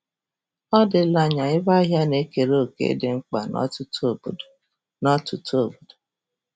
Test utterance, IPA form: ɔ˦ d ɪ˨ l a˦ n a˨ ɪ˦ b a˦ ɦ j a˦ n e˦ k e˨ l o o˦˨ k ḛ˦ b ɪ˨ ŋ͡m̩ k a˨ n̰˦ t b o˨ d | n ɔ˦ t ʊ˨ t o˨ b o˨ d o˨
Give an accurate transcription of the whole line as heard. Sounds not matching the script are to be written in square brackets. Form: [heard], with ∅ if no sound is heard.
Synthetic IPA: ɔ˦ d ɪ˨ l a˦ [ɲ] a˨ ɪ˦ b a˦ ɦ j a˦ n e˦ k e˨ [ɾ] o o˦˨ k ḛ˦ [d] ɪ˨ ŋ͡m̩ [k͡p] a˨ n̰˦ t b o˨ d | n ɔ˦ t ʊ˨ t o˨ b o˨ d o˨